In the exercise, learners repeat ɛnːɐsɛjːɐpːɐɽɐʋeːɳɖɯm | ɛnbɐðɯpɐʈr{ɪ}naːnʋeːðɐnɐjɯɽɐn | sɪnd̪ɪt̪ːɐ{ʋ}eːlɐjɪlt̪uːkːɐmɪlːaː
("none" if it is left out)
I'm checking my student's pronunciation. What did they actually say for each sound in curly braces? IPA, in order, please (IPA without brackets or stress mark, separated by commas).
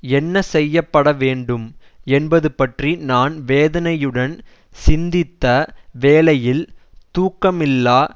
i, ʋ